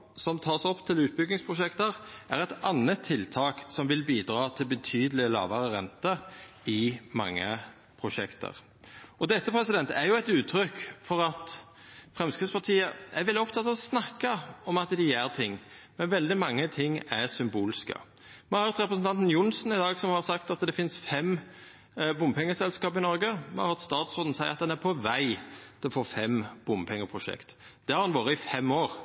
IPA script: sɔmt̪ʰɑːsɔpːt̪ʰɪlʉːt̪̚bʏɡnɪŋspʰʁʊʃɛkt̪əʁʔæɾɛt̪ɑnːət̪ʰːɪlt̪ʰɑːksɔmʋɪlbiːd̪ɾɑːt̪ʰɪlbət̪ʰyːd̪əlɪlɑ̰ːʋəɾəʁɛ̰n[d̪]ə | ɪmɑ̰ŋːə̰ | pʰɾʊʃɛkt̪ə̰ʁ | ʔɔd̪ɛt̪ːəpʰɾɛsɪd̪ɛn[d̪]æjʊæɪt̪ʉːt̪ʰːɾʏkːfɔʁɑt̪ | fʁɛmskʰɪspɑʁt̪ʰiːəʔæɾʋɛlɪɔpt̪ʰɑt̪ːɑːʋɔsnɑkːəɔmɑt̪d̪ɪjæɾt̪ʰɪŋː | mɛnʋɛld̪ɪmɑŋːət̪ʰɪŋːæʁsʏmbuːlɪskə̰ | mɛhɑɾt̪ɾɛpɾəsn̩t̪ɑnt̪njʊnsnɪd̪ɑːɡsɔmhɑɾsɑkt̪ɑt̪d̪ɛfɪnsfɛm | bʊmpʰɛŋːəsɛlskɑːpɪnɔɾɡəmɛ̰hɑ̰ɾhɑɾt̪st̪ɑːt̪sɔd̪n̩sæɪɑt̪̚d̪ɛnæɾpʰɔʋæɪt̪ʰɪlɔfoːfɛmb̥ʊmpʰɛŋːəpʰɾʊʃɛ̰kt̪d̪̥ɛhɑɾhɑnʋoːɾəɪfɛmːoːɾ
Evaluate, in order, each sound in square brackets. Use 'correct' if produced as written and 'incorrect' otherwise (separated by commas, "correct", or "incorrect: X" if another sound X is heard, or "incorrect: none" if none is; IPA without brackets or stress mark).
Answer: incorrect: t̪, incorrect: t̪